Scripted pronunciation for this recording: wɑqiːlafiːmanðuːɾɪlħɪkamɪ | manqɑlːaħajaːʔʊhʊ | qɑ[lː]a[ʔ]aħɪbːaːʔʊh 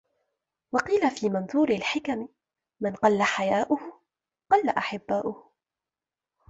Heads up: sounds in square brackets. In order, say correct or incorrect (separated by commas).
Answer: correct, correct